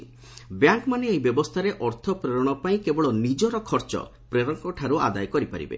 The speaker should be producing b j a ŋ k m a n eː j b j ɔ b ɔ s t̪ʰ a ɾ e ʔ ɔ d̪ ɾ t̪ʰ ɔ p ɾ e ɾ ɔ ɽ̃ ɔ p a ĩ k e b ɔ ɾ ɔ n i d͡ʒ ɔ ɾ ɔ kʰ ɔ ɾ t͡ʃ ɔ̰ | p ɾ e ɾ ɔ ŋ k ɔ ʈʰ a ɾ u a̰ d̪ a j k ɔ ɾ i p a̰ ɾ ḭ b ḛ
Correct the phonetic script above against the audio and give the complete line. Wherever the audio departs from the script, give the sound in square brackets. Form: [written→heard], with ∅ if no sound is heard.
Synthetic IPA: b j a ŋ k m a n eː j b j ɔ b ɔ s t̪ʰ a ɾ e ʔ ɔ [d̪→∅] ɾ t̪ʰ ɔ p ɾ e ɾ ɔ ɽ̃ ɔ p a ĩ k e b ɔ [ɾ→ɭ] ɔ n i d͡ʒ ɔ ɾ ɔ kʰ ɔ ɾ t͡ʃ ɔ̰ | p ɾ e ɾ ɔ ŋ k ɔ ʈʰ a ɾ u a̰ d̪ a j k ɔ ɾ i p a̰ ɾ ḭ b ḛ